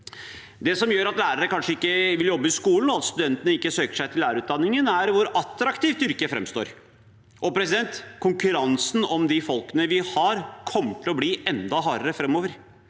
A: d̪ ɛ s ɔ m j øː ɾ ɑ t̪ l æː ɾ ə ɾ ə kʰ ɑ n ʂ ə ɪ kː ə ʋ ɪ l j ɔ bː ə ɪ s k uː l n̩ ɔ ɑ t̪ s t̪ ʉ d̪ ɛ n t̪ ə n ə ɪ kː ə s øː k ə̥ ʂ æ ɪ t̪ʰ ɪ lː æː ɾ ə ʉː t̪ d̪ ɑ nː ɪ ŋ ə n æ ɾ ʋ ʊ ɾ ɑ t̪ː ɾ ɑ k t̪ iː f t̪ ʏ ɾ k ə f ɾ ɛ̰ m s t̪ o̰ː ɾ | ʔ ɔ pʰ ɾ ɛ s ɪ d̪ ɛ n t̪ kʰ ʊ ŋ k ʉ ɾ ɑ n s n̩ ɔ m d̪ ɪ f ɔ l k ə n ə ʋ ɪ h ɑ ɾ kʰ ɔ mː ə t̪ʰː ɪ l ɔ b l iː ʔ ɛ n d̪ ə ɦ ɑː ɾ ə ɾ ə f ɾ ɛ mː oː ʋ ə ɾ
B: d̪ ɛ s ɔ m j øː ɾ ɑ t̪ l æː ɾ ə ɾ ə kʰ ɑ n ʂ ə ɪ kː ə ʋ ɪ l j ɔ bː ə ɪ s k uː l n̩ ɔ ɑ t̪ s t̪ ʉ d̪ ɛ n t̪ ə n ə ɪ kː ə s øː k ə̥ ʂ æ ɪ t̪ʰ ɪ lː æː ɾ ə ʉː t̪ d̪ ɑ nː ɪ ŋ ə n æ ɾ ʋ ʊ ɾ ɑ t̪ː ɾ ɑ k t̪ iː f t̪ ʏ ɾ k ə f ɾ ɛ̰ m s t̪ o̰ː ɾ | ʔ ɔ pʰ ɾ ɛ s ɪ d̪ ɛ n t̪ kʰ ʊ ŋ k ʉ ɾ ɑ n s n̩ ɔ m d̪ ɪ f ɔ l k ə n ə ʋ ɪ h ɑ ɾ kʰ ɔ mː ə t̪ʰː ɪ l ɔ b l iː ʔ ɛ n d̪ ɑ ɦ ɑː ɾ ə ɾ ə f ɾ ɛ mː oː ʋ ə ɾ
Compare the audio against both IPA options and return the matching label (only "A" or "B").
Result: B